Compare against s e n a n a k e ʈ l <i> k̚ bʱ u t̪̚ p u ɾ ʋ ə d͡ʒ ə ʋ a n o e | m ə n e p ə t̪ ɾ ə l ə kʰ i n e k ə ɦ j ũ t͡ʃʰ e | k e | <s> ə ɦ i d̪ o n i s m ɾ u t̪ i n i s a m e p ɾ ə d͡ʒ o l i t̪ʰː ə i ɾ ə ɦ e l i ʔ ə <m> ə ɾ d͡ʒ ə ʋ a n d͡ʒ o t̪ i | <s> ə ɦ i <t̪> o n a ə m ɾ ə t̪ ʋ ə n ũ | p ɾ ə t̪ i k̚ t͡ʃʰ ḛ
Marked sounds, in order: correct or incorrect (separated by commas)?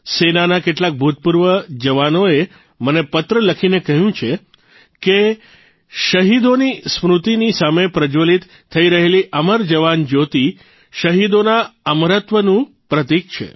incorrect, incorrect, correct, incorrect, incorrect